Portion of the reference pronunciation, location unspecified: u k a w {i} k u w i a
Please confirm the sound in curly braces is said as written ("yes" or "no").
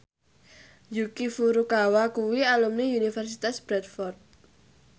no